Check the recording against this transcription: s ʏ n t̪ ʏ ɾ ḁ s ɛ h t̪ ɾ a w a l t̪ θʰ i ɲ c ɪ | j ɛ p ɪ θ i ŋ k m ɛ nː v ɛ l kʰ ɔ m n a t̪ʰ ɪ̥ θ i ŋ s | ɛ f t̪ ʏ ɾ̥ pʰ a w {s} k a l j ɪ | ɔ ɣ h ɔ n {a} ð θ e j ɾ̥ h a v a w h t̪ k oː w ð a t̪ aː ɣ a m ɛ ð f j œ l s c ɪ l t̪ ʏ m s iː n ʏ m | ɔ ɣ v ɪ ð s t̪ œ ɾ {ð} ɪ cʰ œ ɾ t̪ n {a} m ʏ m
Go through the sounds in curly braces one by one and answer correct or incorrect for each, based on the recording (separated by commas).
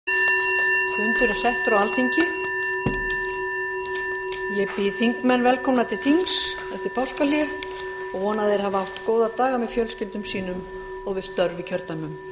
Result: correct, correct, incorrect, correct